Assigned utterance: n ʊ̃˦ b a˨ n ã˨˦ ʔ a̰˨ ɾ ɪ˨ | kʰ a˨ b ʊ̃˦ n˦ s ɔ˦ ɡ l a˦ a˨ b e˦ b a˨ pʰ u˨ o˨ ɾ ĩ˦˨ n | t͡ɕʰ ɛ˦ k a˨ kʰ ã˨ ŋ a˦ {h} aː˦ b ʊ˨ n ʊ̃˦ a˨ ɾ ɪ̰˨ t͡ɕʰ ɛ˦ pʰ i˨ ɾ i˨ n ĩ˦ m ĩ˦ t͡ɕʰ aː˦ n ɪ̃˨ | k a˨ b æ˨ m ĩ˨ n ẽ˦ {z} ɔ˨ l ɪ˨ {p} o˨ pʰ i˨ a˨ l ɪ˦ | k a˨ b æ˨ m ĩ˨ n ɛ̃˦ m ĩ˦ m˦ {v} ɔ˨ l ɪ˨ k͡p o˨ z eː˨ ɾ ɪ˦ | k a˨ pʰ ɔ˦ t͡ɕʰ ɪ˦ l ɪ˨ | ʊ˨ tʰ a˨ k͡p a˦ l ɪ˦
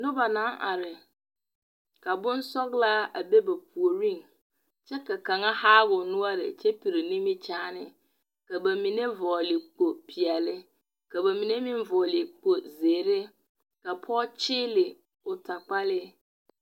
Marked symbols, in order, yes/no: yes, no, no, yes

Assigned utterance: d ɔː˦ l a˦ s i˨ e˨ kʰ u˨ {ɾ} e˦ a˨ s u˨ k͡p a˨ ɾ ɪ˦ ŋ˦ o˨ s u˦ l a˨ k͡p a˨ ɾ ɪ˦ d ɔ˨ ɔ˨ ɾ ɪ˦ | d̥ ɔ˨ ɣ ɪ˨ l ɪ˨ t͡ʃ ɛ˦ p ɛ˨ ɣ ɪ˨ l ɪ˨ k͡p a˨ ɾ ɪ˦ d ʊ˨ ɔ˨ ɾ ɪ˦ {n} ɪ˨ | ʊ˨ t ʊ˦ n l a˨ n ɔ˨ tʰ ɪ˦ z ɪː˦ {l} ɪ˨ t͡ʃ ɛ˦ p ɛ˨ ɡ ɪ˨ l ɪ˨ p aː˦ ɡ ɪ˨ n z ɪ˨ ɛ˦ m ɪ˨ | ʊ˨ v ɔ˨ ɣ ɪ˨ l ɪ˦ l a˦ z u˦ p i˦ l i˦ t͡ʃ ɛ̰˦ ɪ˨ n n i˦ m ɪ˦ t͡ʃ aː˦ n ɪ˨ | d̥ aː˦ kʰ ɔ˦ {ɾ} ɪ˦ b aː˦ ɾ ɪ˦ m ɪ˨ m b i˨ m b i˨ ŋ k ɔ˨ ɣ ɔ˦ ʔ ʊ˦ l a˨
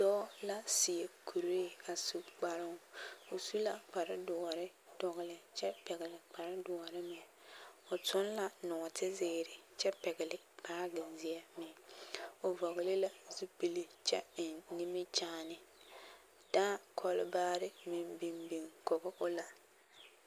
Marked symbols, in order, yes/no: yes, no, no, no

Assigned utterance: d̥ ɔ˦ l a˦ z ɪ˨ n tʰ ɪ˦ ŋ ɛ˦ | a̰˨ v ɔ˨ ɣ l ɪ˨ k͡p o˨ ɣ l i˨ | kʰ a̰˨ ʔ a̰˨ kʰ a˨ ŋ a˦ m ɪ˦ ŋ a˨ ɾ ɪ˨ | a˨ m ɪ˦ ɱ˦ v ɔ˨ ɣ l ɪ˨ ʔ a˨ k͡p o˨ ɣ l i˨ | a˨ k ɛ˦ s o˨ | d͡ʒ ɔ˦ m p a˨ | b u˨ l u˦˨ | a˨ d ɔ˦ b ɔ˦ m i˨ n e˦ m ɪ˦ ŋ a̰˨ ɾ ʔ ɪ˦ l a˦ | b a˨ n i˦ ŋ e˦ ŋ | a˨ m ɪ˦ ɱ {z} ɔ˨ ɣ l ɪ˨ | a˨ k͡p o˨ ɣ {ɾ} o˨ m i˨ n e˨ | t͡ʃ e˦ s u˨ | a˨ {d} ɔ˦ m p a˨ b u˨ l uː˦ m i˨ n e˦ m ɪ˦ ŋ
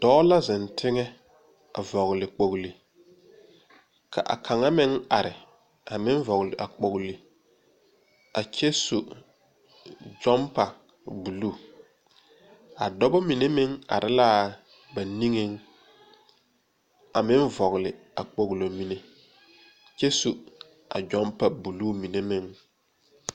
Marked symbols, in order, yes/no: no, no, no

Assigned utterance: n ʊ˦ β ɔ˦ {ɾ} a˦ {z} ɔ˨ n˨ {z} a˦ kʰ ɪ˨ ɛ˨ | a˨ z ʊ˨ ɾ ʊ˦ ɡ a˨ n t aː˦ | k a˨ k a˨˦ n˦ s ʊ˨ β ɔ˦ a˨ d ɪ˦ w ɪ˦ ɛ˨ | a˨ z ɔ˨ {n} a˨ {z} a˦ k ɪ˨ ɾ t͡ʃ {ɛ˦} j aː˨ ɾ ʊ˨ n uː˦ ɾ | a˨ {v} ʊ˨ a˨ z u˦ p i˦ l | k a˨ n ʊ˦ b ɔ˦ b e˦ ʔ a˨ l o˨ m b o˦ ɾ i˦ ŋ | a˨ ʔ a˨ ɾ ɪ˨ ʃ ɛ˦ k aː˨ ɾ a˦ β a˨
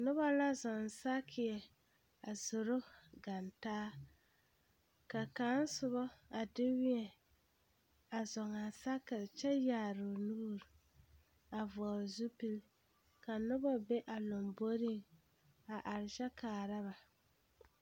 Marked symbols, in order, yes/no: no, yes, no, no, no, yes, yes

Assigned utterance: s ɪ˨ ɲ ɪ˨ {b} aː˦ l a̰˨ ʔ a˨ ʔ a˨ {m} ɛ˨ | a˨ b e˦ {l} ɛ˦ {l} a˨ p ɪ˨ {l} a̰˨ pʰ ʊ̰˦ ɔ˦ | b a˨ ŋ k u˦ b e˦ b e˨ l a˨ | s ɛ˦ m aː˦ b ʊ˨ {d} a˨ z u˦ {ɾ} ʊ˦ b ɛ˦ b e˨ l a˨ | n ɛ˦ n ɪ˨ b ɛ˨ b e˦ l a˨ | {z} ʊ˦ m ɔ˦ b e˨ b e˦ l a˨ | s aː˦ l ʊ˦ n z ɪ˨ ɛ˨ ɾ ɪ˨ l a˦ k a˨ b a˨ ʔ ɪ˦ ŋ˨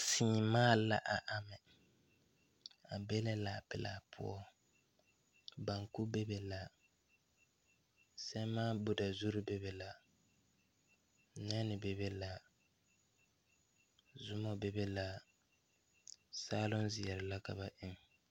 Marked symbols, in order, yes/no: no, yes, yes, yes, yes, yes, yes, yes

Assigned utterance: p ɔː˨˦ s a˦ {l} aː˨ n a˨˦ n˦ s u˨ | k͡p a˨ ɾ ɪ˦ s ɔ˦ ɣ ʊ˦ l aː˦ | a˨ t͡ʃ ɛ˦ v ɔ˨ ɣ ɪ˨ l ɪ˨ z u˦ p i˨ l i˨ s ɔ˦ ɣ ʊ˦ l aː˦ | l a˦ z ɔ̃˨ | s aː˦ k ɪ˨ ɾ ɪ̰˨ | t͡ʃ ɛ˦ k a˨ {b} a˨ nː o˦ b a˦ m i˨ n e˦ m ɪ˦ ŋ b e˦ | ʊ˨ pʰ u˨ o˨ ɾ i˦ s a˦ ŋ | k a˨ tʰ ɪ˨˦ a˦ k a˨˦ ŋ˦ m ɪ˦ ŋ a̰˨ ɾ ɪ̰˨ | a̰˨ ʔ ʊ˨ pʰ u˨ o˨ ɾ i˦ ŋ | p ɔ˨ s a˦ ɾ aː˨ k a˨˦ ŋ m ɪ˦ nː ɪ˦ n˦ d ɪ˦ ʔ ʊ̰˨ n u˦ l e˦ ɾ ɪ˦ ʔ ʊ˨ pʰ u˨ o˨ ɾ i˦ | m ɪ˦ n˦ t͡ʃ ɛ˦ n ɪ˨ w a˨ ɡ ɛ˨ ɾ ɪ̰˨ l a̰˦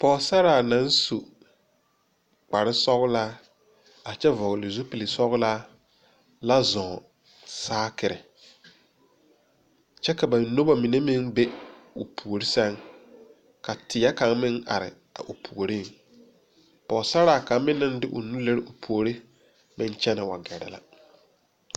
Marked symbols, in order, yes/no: no, yes

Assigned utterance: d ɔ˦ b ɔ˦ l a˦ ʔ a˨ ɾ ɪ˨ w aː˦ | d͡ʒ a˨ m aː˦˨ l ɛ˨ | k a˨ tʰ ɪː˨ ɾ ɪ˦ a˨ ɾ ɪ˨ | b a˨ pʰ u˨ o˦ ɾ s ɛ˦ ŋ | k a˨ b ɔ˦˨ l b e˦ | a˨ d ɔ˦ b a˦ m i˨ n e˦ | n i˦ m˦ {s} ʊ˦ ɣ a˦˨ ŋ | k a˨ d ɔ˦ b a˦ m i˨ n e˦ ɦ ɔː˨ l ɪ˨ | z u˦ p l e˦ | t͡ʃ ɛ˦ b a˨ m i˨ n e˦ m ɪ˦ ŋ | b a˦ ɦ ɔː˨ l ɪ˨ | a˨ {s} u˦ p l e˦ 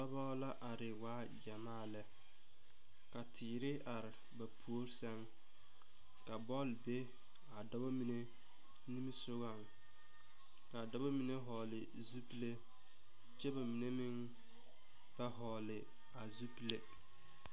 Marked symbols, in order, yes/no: yes, no

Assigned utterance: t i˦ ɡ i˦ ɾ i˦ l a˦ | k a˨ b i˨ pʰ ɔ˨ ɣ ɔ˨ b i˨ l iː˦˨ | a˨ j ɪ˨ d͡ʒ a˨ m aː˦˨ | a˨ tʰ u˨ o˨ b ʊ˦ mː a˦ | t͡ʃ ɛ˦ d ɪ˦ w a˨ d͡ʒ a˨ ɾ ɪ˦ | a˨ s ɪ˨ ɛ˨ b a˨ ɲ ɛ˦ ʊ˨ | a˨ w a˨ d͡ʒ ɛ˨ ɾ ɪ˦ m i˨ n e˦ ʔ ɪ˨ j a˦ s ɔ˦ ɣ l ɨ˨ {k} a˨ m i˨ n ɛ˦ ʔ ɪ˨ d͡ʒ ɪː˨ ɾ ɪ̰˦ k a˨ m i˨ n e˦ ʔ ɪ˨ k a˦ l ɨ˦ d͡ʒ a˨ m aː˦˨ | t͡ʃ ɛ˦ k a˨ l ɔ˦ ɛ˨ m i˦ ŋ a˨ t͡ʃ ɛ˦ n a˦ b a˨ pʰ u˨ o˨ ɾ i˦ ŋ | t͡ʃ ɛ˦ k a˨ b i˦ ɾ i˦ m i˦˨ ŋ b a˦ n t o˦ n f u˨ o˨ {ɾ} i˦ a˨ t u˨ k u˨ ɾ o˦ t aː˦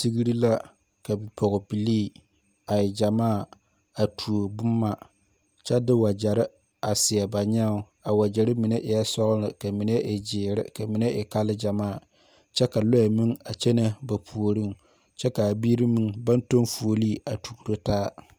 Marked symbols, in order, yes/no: yes, no

